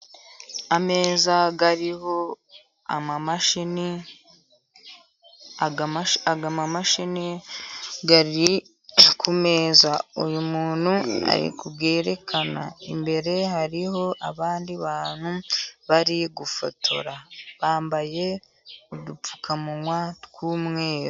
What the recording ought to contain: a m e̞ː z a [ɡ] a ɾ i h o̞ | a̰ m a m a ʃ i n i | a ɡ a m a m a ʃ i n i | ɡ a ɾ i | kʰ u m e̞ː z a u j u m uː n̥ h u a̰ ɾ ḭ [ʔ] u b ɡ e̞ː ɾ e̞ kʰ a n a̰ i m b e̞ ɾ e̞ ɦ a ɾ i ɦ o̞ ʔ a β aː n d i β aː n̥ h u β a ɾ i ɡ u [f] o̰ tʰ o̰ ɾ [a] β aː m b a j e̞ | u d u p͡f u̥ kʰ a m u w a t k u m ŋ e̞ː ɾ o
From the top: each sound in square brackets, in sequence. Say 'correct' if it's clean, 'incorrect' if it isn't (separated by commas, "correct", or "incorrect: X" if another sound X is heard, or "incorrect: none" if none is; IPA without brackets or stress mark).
correct, incorrect: k, correct, correct